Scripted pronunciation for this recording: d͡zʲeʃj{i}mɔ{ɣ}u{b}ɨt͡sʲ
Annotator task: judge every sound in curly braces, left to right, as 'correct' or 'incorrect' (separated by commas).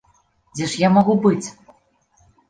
incorrect, correct, correct